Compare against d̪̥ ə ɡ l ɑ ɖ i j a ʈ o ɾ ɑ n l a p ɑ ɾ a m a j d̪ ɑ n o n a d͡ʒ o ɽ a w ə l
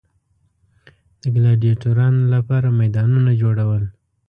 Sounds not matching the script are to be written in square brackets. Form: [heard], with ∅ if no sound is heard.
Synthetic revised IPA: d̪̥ ə ɡ l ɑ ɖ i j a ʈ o ɾ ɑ n l a p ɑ ɾ a m a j d̪ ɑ n [u] n a d͡ʒ o ɽ a w ə l